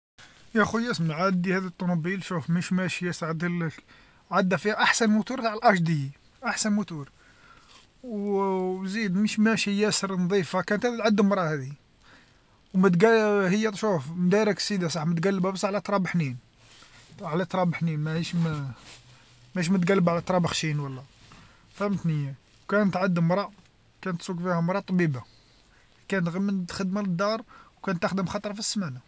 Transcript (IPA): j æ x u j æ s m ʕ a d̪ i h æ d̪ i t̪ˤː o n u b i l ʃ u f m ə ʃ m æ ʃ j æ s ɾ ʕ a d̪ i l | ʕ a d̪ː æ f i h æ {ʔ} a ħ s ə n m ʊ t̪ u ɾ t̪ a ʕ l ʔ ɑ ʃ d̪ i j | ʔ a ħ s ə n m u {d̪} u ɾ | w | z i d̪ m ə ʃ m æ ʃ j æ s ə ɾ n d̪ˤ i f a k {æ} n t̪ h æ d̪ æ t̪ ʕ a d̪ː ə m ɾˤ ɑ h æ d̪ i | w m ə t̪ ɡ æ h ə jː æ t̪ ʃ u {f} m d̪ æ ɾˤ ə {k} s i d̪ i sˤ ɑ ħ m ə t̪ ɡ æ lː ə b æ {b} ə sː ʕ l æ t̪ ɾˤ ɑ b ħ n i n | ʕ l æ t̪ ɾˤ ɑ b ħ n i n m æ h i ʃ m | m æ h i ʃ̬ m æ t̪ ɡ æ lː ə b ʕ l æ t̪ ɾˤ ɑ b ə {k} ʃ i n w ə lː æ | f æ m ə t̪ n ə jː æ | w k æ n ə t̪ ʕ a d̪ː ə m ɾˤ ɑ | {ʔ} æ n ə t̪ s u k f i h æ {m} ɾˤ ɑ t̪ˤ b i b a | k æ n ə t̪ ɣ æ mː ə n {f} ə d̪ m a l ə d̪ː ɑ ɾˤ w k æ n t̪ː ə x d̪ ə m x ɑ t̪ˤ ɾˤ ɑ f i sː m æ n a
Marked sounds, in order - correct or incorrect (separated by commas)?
correct, incorrect, correct, correct, correct, correct, incorrect, incorrect, correct, incorrect